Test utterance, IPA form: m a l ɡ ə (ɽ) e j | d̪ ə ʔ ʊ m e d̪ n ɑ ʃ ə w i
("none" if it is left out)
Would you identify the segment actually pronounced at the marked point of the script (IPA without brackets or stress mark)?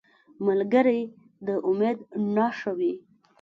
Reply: ɾ